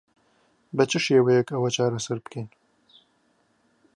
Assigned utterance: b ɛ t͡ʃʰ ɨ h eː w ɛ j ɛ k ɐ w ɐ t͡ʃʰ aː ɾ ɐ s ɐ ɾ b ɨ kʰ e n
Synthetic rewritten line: b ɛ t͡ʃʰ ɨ ʃ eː w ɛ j ɛ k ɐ w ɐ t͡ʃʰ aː ɾ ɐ s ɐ ɾ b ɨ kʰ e n